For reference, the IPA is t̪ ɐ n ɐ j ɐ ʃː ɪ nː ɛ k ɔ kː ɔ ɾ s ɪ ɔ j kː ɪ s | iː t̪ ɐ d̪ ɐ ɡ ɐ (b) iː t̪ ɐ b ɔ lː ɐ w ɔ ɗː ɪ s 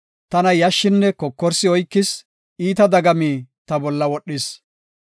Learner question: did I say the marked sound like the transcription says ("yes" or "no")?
no